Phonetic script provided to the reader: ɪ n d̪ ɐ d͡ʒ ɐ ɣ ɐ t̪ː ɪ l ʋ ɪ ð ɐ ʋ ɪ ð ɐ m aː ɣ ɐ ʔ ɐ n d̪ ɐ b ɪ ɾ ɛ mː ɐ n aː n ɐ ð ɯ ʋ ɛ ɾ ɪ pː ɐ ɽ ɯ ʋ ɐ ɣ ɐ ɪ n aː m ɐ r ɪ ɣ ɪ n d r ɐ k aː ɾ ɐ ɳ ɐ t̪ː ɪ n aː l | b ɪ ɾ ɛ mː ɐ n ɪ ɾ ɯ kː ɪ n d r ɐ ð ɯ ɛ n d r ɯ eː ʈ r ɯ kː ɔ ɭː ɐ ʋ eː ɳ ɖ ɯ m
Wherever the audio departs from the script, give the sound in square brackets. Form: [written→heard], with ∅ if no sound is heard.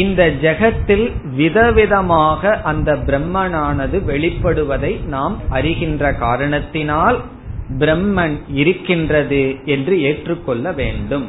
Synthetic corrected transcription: ɪ n d̪ ɐ d͡ʒ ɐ ɣ ɐ t̪ː ɪ l ʋ ɪ ð ɐ ʋ ɪ ð ɐ m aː ɣ ɐ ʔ ɐ n d̪ ɐ b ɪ ɾ ɛ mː ɐ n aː n ɐ ð ɯ ʋ ɛ [ɾ→ɭ] ɪ pː ɐ ɽ ɯ ʋ ɐ [ɣ→ð] ɐ ɪ n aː m ɐ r ɪ ɣ ɪ n d r ɐ k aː ɾ ɐ ɳ ɐ t̪ː ɪ n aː l | b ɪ ɾ ɛ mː ɐ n ɪ ɾ ɯ kː ɪ n d r ɐ ð ɯ ɛ n d r ɯ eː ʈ r ɯ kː ɔ ɭː ɐ ʋ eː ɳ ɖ ɯ m